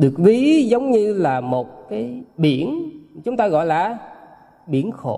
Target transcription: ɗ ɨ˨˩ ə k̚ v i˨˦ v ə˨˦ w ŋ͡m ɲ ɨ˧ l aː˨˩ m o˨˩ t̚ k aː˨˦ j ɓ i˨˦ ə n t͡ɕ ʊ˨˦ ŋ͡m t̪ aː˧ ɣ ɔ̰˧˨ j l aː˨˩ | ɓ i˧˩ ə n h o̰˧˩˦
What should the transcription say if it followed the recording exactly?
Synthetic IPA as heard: ɗ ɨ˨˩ ə k̚ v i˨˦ z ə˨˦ w ŋ͡m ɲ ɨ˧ l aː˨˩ m o˨˩ t̚ k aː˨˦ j ɓ i˧˩ ə n t͡ɕ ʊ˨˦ ŋ͡m t̪ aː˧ ɣ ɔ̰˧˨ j l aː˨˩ | ɓ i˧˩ ə n x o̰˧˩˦